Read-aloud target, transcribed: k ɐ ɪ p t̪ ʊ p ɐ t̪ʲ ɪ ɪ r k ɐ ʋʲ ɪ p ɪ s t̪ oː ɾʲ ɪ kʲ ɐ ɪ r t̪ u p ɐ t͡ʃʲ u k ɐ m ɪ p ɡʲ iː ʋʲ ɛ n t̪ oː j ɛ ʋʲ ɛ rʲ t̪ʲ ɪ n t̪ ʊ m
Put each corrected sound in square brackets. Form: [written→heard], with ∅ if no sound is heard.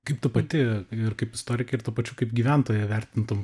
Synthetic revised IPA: k ɐ ɪ p t̪ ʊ p ɐ t̪ʲ ɪ ɪ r k ɐ [ʋʲ→∅] ɪ p ɪ s t̪ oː ɾʲ ɪ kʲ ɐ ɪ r t̪ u p ɐ t͡ʃʲ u k ɐ [m→∅] ɪ p ɡʲ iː ʋʲ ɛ n t̪ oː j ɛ ʋʲ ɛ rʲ t̪ʲ ɪ n t̪ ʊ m